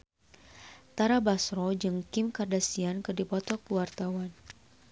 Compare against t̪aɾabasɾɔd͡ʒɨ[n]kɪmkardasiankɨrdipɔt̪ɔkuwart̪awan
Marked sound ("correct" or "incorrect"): incorrect